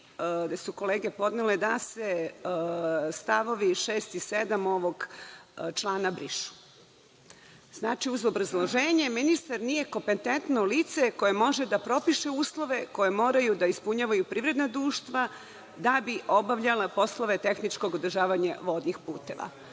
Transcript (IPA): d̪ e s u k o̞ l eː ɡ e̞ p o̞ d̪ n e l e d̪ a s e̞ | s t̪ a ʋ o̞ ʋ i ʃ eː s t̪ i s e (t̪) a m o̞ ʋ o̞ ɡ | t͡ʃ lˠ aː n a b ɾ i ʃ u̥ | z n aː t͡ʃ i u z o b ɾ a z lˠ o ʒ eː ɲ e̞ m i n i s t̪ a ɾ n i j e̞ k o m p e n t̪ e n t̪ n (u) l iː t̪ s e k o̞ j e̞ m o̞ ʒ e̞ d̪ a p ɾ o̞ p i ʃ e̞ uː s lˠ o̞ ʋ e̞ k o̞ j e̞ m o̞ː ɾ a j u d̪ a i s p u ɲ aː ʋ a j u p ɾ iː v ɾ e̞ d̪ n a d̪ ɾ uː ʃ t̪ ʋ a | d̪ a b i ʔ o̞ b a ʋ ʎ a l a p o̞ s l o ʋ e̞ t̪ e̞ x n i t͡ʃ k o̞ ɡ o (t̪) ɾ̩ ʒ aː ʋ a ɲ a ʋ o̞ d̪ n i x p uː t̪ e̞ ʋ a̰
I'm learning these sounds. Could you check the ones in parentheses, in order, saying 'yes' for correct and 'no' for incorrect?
no, no, no

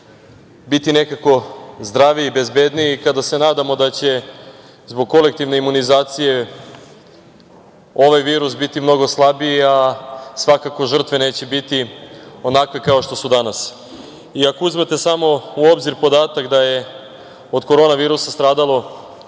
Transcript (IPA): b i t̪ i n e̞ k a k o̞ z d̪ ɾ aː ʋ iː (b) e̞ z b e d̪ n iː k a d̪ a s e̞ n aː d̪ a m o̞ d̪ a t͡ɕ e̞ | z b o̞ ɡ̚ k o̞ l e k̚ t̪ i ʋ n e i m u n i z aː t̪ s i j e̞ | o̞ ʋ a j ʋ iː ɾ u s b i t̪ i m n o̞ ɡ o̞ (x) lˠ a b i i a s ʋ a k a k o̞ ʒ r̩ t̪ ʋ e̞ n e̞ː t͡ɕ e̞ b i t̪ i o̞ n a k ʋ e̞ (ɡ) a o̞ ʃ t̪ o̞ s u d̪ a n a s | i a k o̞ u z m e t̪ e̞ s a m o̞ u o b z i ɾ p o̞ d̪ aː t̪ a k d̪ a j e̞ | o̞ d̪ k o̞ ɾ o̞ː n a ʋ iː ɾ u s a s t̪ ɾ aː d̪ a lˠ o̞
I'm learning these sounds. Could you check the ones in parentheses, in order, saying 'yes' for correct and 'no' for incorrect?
yes, no, no

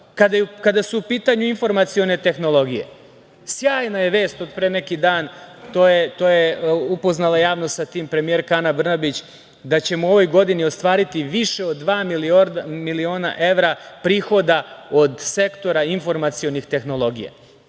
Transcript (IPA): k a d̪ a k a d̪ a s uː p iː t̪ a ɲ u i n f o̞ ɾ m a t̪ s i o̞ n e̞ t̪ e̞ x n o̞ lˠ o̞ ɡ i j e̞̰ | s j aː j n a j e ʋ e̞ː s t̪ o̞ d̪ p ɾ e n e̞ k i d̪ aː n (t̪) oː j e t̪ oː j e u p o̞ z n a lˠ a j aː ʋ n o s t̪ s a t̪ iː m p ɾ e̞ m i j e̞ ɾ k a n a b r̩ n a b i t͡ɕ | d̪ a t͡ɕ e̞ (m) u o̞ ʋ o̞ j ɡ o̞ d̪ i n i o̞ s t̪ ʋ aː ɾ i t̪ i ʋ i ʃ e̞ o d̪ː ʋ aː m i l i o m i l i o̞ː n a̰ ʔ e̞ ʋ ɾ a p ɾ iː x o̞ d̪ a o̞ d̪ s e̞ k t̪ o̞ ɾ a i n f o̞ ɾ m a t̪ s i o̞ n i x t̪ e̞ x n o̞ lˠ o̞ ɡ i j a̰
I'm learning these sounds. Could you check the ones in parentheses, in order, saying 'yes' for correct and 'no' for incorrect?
yes, yes

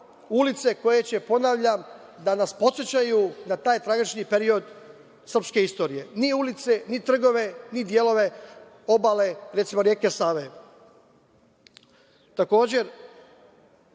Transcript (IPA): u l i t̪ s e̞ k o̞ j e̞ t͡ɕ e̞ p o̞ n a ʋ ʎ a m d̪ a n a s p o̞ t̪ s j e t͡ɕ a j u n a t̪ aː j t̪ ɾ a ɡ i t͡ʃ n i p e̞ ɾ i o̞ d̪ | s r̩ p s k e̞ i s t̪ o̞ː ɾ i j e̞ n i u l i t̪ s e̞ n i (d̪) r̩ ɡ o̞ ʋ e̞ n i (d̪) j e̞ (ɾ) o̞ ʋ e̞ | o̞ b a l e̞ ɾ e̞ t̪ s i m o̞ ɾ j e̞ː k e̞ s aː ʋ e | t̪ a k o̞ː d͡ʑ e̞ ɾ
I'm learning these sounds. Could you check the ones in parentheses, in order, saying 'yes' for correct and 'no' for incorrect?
no, yes, no

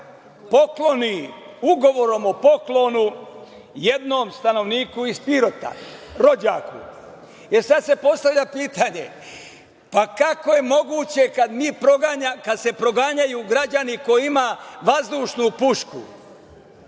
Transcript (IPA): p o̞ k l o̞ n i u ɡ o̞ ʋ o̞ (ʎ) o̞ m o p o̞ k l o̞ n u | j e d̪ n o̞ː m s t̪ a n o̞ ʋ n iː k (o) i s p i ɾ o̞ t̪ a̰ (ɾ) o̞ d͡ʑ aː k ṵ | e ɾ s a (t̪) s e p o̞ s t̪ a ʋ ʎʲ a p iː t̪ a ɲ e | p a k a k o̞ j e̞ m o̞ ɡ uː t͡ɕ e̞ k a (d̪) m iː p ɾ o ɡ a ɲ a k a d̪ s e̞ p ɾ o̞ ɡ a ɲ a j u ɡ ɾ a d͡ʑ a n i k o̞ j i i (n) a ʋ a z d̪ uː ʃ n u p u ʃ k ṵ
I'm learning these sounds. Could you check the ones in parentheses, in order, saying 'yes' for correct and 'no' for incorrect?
no, no, yes, no, yes, no

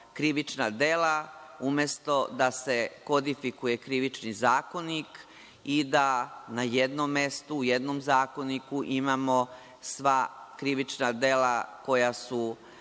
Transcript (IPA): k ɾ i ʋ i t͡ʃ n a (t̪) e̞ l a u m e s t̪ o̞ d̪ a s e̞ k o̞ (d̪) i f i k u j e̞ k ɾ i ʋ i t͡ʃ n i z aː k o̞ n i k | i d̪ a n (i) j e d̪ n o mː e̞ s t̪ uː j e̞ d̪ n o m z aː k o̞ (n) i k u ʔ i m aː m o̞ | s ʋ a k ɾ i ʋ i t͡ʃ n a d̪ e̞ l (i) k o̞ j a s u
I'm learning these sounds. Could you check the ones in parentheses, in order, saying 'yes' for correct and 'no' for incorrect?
no, yes, no, yes, no

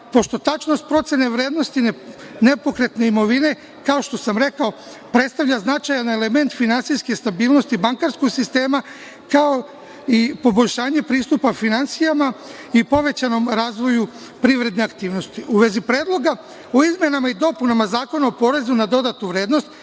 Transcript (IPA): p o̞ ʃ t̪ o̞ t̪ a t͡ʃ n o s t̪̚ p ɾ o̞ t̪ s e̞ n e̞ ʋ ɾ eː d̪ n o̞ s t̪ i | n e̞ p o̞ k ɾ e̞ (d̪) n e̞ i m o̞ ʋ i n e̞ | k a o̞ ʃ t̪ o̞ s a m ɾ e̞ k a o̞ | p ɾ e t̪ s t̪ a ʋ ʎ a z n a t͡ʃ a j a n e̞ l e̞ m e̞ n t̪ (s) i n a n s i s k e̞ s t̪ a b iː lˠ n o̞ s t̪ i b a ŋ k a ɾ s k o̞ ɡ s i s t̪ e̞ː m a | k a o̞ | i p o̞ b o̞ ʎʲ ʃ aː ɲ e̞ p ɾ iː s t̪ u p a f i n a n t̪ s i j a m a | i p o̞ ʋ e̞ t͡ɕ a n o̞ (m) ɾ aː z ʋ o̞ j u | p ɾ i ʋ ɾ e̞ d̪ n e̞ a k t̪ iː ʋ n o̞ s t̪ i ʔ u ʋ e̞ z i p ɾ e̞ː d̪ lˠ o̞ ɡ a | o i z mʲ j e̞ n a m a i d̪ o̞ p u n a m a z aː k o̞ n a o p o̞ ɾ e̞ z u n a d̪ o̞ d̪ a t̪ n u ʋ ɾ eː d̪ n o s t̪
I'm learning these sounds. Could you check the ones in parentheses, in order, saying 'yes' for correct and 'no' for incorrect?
no, no, yes

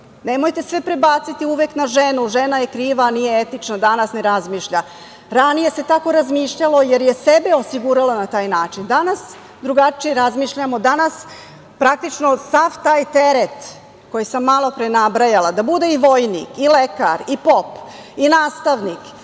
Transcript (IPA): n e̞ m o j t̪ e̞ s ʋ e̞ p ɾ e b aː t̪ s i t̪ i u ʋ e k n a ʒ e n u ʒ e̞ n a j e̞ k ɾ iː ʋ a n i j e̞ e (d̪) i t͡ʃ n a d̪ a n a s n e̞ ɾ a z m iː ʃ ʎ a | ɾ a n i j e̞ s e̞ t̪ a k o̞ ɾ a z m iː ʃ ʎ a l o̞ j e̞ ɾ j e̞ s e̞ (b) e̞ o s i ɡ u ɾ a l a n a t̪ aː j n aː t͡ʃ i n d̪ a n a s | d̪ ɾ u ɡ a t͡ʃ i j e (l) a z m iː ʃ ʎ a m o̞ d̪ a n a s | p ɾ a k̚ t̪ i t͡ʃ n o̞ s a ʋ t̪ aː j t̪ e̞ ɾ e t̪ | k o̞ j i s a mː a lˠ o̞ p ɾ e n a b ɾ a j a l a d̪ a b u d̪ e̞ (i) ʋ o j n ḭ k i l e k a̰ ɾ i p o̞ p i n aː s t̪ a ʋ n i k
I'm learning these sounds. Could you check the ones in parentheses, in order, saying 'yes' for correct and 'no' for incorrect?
no, yes, no, yes

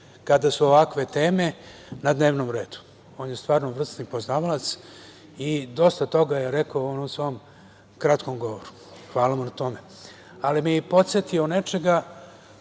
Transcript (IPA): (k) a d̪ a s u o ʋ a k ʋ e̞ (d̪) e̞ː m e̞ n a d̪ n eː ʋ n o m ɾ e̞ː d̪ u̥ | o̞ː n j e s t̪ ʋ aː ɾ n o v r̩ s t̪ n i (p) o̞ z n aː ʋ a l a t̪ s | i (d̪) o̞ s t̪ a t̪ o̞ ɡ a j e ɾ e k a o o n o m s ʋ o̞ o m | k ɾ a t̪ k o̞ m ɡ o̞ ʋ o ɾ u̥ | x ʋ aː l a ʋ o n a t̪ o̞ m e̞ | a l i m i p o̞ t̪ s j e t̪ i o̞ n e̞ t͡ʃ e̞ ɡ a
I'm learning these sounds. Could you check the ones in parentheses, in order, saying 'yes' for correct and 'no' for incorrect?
yes, no, yes, yes

